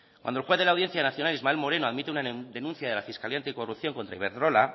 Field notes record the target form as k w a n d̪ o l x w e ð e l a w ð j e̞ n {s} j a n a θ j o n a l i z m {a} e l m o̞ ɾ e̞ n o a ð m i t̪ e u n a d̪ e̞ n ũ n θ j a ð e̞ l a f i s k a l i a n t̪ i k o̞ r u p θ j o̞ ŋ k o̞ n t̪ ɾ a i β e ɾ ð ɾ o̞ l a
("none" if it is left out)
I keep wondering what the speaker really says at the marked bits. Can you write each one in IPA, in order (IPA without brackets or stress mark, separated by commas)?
θ, a